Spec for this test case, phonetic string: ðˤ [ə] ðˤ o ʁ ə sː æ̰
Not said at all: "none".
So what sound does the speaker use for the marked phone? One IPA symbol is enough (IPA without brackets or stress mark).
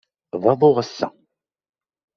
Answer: ɑ